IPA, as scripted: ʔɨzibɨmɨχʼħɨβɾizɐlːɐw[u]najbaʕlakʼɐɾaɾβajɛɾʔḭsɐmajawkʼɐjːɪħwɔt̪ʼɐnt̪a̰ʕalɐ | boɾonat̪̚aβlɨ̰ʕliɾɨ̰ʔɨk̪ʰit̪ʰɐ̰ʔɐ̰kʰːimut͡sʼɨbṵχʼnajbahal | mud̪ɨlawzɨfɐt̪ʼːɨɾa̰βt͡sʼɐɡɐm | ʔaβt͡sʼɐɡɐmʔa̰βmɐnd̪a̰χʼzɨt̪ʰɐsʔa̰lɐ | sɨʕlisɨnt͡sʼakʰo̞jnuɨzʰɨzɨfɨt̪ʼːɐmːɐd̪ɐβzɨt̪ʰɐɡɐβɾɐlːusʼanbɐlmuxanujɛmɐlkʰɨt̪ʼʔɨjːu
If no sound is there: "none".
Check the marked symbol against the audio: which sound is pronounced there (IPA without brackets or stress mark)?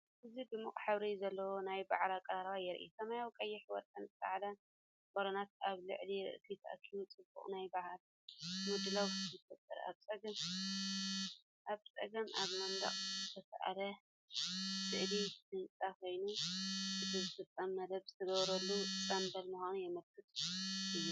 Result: o